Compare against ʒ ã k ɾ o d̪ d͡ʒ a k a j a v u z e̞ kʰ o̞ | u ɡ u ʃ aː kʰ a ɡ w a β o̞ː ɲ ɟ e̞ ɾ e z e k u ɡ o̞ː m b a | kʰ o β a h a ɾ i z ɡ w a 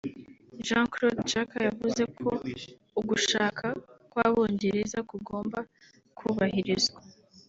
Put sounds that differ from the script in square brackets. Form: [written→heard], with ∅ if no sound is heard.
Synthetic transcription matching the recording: ʒ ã k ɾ o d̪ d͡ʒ a k a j a v u z e̞ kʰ o̞ | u ɡ u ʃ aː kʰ a [ɡ→k] w a β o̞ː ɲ ɟ e̞ ɾ e z [e→a] k u ɡ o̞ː m b a | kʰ [o→u] β a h [a→i] ɾ i z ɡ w a